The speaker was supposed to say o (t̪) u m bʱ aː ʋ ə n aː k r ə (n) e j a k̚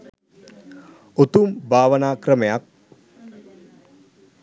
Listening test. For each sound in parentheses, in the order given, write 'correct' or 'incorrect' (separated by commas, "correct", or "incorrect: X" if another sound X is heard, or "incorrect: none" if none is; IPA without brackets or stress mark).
correct, incorrect: m